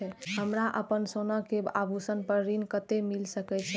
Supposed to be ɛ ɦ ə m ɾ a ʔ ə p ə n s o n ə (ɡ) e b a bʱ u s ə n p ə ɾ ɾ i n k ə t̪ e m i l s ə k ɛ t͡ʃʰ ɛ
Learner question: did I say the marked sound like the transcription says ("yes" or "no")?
no